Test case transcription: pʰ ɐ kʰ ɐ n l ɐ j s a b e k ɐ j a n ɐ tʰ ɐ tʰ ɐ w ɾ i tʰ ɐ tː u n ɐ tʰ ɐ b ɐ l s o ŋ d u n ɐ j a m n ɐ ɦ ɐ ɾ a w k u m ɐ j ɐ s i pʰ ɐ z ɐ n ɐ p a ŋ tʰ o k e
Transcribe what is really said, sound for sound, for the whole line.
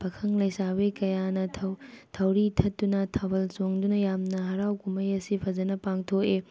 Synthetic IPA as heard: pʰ ɐ kʰ ɐ ŋ l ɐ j s a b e k ɐ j a n ɐ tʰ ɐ tʰ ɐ w ɾ i tʰ ɐ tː u n ɐ tʰ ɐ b ɐ l s o ŋ d u n ɐ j a m n ɐ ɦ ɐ ɾ a w k u m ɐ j ɐ s i pʰ ɐ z ɐ n ɐ p a ŋ tʰ o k e